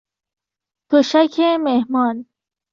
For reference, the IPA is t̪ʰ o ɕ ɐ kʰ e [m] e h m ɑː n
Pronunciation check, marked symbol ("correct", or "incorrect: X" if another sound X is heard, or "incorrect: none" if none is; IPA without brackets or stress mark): correct